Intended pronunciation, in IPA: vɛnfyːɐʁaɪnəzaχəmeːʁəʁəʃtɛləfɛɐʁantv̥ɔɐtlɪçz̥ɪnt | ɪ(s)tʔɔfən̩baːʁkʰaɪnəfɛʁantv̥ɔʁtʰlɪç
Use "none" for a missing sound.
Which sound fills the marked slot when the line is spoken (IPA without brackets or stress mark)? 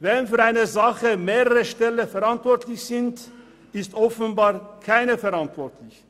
s